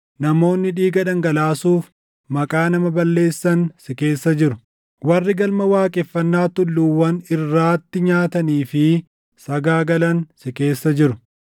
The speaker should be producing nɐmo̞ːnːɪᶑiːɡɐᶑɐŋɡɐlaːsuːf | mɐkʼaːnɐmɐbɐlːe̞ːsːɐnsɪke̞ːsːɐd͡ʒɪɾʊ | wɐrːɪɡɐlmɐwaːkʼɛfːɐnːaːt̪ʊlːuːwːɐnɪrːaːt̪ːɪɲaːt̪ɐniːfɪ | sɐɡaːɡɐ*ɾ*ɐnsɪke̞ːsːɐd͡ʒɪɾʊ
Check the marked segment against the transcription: incorrect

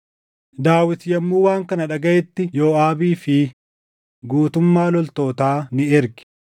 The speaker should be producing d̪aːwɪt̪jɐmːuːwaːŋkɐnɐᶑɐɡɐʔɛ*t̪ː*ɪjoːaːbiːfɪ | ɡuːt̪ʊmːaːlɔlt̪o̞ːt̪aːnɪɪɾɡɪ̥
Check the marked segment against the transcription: correct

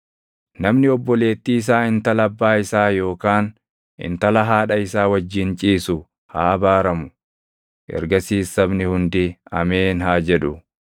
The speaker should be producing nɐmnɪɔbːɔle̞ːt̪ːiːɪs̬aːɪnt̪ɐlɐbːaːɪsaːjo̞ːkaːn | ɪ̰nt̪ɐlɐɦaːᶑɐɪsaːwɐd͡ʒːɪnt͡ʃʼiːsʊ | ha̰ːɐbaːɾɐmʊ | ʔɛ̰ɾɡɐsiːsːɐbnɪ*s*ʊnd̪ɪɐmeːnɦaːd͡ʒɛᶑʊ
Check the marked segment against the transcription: incorrect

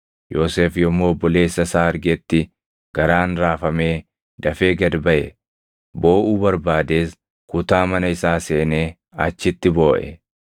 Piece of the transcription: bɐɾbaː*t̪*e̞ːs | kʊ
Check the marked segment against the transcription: incorrect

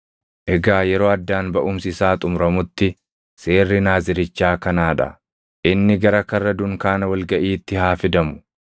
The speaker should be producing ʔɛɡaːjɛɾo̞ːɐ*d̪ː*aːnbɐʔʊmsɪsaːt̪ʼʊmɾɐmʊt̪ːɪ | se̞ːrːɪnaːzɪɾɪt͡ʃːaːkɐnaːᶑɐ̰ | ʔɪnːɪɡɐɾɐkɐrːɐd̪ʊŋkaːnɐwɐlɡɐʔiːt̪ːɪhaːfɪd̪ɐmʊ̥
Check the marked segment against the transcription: correct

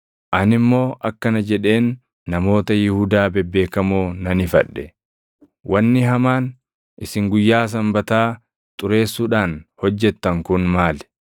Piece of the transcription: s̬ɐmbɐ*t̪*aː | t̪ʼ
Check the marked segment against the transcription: correct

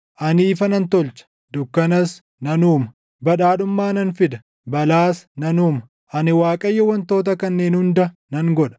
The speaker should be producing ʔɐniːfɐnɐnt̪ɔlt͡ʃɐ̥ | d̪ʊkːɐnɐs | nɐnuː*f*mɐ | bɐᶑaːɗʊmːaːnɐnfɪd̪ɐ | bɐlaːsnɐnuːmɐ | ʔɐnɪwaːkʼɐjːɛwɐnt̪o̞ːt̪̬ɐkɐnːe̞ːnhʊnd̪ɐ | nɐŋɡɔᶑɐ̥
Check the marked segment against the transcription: incorrect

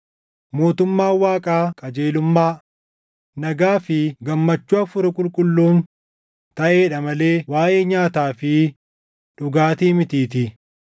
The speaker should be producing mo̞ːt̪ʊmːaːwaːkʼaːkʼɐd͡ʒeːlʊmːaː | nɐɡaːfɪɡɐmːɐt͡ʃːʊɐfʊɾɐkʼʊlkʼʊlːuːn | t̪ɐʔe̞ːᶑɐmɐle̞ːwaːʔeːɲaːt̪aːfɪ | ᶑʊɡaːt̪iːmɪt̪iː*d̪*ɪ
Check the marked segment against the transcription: incorrect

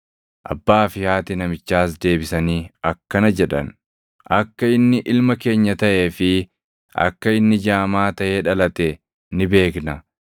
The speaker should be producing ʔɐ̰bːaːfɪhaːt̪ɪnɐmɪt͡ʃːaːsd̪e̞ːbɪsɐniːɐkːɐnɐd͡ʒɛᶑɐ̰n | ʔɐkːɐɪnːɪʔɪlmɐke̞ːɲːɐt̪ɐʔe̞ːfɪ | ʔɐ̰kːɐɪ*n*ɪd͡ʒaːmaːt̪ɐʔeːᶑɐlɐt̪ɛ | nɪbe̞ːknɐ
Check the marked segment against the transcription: incorrect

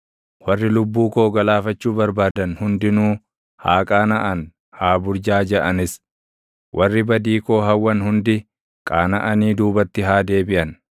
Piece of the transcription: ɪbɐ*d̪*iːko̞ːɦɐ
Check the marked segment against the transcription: correct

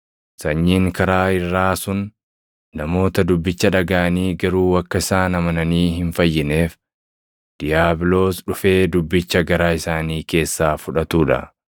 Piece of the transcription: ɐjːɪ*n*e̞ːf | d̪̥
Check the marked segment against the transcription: correct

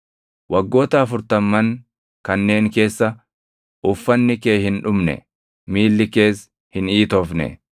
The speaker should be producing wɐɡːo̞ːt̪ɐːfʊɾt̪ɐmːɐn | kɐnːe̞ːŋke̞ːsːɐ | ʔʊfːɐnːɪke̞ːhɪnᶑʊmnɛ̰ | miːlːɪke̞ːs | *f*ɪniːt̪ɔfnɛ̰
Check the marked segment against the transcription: incorrect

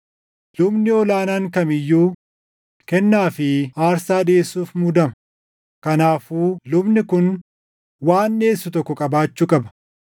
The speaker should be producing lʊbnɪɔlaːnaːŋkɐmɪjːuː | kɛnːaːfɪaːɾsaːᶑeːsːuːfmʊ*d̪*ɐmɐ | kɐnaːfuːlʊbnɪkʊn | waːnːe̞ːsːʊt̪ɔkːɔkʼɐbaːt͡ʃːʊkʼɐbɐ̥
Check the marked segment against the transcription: correct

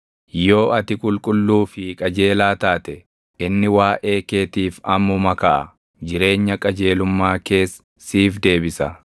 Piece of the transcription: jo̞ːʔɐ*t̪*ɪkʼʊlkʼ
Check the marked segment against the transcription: correct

